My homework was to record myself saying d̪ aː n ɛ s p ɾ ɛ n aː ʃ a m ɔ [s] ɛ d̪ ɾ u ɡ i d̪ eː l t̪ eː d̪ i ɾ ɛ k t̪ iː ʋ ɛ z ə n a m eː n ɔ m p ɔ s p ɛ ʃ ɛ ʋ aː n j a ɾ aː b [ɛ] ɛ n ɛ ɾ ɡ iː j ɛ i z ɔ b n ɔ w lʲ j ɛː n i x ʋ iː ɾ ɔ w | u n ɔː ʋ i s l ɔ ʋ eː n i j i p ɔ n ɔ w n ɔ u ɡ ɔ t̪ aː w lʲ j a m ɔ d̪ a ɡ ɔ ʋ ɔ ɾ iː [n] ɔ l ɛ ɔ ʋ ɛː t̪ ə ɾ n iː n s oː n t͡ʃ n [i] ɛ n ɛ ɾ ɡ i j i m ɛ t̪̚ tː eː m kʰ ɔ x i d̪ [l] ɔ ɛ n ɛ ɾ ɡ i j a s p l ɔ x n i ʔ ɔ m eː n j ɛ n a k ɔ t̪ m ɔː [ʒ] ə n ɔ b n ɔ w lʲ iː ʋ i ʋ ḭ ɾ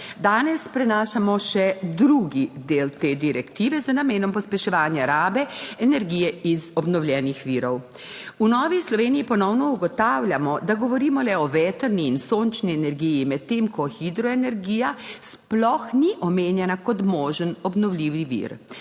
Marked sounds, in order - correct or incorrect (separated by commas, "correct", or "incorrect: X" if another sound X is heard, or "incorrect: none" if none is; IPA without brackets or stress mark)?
incorrect: ʃ, correct, incorrect: m, correct, incorrect: ɾ, correct